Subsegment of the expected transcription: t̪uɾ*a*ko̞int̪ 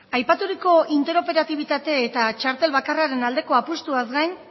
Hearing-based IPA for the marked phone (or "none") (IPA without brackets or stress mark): i